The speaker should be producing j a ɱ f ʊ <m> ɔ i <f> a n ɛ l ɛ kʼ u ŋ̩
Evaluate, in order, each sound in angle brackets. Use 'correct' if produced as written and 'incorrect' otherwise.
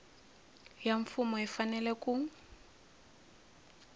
correct, correct

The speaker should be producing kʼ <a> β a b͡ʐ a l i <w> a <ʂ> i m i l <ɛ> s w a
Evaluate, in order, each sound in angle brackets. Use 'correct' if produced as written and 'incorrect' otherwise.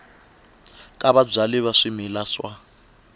correct, incorrect, correct, incorrect

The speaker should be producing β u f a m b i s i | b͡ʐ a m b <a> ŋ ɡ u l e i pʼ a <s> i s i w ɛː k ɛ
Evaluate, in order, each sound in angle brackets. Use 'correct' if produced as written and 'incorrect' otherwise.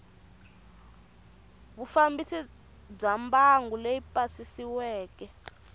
correct, correct

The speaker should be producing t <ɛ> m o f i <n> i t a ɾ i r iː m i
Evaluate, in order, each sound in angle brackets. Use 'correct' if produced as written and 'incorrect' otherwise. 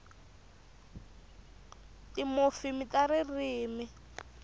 incorrect, incorrect

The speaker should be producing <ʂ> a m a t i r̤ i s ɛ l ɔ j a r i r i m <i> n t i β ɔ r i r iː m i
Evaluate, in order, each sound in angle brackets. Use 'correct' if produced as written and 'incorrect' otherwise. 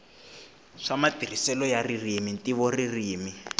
correct, correct

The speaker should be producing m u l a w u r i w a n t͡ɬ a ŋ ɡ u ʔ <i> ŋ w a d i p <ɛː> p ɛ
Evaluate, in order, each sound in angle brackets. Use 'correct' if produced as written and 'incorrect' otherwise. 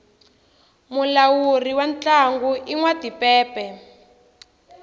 correct, correct

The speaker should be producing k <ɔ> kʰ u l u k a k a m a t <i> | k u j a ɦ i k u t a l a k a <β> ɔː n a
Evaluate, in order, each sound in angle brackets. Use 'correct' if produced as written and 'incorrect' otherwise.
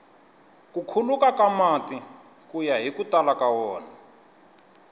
incorrect, correct, incorrect

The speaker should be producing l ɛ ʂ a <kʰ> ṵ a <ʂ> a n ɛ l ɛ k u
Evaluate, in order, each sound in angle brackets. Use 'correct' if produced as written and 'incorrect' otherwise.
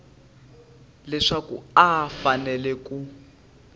incorrect, incorrect

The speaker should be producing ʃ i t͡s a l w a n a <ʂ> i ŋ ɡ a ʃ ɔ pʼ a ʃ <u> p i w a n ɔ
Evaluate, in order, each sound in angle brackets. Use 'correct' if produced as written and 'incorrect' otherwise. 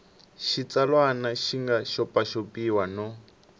incorrect, incorrect

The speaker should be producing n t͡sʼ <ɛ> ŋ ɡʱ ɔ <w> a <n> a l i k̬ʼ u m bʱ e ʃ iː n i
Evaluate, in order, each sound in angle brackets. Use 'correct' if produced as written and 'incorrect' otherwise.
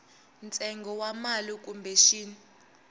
correct, correct, incorrect

